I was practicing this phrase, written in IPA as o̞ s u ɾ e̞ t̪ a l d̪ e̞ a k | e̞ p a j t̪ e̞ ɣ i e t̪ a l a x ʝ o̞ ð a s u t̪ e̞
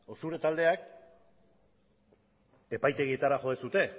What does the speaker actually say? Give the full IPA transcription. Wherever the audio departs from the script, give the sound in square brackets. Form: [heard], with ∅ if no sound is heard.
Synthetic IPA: o̞ s u ɾ e̞ t̪ a l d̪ e̞ a k | e̞ p a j t̪ e̞ ɣ i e t̪ a [ɾ] a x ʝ o̞ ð [e] s u t̪ e̞